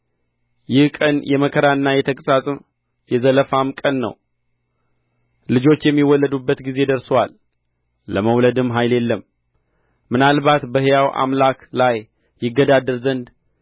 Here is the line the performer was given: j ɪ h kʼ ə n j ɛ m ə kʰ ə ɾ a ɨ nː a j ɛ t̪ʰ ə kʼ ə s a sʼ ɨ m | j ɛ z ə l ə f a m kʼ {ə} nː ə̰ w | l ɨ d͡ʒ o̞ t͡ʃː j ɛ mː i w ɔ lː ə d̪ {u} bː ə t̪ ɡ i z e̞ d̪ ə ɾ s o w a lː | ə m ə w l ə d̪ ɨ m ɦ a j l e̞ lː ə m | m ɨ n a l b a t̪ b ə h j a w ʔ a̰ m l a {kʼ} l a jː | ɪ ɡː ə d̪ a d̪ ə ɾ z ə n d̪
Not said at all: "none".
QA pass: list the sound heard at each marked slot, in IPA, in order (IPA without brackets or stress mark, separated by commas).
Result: ə, u, k